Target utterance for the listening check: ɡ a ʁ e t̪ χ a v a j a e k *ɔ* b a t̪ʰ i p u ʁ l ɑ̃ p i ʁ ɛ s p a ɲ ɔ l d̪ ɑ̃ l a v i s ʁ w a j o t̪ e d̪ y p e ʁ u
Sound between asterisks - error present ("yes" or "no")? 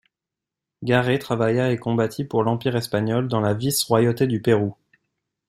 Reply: yes